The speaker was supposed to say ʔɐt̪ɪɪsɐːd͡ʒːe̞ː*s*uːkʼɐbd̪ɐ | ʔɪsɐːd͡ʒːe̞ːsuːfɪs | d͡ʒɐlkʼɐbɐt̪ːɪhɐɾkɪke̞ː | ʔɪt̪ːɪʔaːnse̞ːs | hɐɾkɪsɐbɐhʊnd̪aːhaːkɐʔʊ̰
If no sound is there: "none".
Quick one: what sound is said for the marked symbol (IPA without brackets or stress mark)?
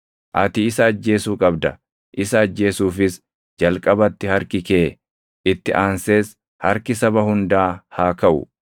s